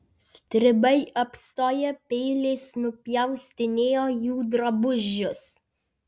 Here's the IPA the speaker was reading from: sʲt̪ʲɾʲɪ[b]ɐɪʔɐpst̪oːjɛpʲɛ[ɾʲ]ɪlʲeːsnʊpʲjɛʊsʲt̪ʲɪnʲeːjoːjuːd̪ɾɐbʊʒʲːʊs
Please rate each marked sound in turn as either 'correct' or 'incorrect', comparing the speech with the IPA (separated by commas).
correct, incorrect